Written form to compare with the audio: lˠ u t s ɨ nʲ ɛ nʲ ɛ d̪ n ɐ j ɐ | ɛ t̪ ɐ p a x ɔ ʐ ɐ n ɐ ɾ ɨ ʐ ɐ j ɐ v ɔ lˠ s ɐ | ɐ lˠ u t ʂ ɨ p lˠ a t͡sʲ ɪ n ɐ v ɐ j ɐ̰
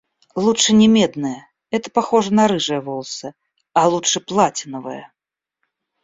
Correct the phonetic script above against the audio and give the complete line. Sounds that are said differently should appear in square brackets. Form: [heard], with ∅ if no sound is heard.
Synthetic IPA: lˠ u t [ʂ] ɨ nʲ ɛ [mʲ] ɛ d̪ n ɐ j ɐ | ɛ t̪ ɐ p a x ɔ ʐ ɐ n ɐ ɾ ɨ ʐ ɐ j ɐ v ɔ lˠ s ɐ | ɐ lˠ u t ʂ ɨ p lˠ a t͡sʲ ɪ n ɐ v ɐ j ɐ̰

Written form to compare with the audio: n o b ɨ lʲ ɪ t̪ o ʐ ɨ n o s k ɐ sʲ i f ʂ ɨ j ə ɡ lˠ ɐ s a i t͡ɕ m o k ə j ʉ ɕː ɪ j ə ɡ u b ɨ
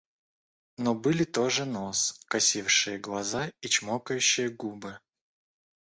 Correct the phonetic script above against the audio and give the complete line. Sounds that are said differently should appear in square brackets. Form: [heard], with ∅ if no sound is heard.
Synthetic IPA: n o b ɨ lʲ ɪ t̪ o ʐ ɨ n o s k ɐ sʲ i f ʂ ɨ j ə ɡ lˠ ɐ [z] a i t͡ɕ m o k ə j ʉ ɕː ɪ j ə ɡ u b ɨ

